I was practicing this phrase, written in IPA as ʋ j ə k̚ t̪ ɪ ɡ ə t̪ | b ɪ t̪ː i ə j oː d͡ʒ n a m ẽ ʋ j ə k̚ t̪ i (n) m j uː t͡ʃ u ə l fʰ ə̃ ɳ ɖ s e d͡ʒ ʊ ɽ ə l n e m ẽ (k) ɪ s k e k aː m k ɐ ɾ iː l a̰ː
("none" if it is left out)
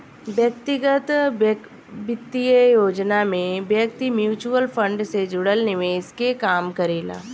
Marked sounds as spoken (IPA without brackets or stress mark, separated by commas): none, none